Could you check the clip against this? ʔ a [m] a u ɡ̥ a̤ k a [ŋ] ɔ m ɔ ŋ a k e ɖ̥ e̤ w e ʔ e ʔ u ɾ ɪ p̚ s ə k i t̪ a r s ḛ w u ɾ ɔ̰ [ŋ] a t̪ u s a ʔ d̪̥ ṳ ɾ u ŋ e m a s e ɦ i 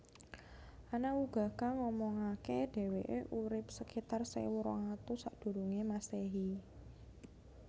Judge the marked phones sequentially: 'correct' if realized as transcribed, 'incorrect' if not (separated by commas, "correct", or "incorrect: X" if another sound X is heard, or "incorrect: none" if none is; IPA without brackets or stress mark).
incorrect: n, correct, correct